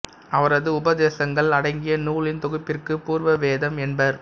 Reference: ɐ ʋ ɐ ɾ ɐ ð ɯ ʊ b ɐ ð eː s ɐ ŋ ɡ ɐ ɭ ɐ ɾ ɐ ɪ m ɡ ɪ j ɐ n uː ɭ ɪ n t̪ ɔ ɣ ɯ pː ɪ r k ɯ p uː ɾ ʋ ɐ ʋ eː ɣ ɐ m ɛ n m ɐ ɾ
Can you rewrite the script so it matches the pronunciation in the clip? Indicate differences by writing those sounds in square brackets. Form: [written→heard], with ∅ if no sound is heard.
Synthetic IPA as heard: ɐ ʋ ɐ ɾ ɐ ð ɯ ʊ b ɐ ð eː s ɐ ŋ ɡ ɐ ɭ ɐ [ɾ→ɽ] ɐ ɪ [m→ŋ] ɡ ɪ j ɐ n uː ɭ ɪ n t̪ ɔ ɣ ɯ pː ɪ r k ɯ p uː ɾ ʋ ɐ ʋ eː [ɣ→ð] ɐ m ɛ n [m→b] ɐ ɾ